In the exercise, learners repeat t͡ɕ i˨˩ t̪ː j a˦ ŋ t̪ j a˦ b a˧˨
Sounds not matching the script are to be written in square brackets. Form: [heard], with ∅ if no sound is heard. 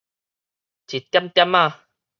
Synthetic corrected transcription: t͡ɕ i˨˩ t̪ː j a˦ [m] t̪ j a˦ [m] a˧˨